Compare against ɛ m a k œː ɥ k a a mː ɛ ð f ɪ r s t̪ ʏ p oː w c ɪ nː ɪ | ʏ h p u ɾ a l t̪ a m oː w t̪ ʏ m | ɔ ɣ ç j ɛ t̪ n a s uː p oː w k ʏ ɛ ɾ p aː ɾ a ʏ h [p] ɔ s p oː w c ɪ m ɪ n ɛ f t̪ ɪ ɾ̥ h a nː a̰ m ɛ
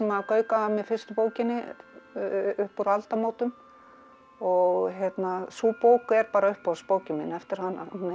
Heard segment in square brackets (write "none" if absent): p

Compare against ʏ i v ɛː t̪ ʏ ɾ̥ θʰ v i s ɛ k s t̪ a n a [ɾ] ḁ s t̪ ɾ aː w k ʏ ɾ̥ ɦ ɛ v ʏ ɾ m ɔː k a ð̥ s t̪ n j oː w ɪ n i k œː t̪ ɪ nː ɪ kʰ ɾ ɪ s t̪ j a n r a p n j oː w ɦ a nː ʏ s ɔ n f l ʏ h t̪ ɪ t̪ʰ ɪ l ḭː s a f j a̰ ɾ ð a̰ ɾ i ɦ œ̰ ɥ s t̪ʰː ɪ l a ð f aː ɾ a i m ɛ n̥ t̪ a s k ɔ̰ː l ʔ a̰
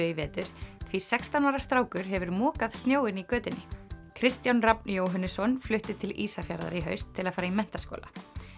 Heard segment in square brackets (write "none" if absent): ɾ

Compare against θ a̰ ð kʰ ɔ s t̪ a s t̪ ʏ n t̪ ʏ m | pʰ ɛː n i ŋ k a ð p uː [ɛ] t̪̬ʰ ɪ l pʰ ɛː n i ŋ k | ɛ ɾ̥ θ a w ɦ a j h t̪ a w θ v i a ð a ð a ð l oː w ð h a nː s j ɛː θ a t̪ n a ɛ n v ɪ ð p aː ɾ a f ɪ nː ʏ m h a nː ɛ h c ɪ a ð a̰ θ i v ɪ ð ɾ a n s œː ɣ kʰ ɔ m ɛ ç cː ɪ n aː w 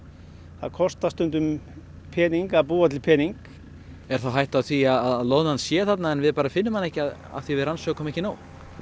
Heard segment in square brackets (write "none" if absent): a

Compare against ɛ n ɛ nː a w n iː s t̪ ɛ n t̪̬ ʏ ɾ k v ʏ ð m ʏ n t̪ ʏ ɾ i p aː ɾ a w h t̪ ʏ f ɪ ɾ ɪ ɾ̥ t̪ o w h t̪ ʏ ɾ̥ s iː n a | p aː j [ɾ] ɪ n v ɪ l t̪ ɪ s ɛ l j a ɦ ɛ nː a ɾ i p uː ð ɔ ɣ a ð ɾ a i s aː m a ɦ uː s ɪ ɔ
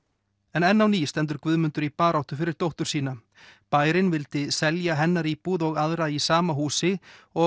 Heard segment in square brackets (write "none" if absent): ɾ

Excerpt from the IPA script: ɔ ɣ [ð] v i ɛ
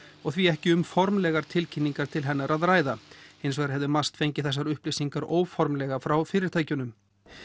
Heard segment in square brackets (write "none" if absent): θ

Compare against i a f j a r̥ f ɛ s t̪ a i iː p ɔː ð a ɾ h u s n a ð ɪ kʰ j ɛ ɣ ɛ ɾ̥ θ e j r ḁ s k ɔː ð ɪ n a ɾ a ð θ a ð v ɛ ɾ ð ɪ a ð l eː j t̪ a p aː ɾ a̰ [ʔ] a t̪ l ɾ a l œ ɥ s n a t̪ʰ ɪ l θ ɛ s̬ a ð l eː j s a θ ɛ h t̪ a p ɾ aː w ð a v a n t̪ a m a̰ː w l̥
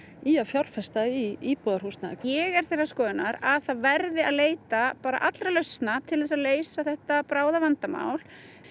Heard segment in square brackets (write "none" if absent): ʔ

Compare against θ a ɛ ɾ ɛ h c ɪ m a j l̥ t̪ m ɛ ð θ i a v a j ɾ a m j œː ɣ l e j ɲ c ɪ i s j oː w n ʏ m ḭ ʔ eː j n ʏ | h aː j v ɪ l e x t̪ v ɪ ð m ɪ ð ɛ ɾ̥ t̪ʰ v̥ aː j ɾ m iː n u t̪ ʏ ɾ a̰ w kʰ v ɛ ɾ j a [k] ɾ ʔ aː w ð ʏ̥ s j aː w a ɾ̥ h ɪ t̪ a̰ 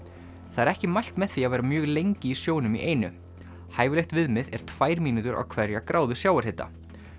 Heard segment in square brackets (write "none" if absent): k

